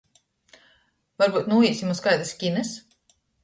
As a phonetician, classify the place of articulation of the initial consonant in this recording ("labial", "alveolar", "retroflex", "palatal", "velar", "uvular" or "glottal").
labial